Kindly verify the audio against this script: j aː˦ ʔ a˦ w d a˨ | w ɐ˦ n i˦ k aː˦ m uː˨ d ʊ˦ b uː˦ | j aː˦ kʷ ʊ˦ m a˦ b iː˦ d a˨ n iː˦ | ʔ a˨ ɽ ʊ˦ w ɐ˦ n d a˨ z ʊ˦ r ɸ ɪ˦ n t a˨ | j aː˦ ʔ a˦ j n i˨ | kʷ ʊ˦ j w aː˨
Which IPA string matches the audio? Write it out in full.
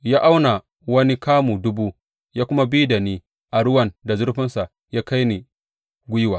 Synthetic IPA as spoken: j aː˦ ʔ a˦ w n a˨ | w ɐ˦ n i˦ k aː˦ m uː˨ d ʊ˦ b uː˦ | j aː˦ kʷ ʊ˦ m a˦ b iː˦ d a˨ n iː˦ | ʔ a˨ ɽ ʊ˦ w ɐ˨ n d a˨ z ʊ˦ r ɸ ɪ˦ n s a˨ | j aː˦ k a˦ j n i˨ | ɡʷ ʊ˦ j w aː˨